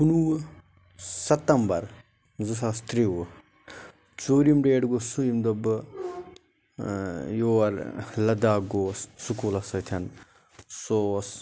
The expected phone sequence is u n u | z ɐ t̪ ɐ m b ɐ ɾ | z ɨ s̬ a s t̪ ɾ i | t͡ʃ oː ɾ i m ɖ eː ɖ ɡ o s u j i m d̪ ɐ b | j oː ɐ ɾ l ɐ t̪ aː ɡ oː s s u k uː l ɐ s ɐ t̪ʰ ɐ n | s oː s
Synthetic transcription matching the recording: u n u | s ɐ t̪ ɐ m b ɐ ɾ | z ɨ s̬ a s t̪ ɾ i | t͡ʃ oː ɾ i m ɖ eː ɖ ɡ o s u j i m d̪ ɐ b | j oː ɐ ɾ l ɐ d̪ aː ɡ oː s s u k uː l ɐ s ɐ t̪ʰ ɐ n | s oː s

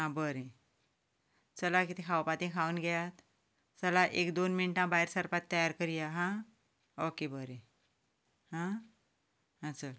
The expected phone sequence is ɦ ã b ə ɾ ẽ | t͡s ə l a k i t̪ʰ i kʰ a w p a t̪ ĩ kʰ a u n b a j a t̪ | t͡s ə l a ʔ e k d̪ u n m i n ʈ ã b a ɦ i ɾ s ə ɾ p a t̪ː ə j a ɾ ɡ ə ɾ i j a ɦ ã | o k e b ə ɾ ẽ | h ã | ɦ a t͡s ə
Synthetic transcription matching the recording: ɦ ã b ə ɾ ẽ | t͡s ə l a k i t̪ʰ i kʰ a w p a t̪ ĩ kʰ a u n ɡ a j a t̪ | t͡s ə l a ʔ e k d̪ o n m i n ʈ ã b a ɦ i ɾ s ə ɾ p a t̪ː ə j a ɾ k ə ɾ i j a ɦ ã | o k e b ə ɾ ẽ | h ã | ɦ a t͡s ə

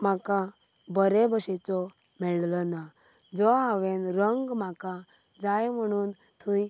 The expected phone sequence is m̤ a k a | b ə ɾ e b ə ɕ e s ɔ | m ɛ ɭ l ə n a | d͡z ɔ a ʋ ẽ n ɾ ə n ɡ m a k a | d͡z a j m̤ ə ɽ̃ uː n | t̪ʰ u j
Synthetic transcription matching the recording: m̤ a k a | b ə ɾ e b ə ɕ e t͡s ɔ | m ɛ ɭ l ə n a | d͡z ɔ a ʋ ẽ n ɾ ə ŋ ɡ m a k a | d͡z a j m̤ ə ɽ̃ uː n | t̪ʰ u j

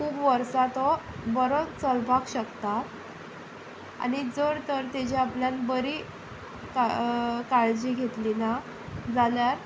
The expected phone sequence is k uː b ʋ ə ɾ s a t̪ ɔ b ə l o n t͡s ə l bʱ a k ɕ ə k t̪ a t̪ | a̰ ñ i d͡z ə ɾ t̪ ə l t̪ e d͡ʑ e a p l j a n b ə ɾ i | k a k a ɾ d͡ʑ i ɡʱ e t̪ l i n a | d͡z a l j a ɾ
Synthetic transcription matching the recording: k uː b ʋ ə ɾ s a t̪ ɔ b ə ɾ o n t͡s ə l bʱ a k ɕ ə k t̪ a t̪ | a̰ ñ i d͡z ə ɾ t̪ ə ɾ t̪ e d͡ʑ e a p l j a n b ə ɾ i | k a k a ɭ d͡ʑ i ɡʱ e t̪ l i n a | d͡z a l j a ɾ

